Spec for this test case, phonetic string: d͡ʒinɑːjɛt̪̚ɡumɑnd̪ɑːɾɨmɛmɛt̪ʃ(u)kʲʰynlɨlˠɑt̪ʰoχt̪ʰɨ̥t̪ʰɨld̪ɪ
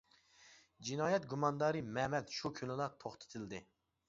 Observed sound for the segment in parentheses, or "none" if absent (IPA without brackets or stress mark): u